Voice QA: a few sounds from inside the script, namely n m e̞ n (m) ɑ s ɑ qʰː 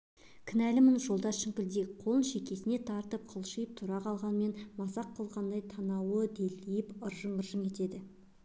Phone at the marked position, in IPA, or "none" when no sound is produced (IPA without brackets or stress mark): m